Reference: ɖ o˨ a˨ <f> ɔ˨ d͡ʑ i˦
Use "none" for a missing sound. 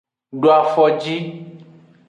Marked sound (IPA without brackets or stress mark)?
f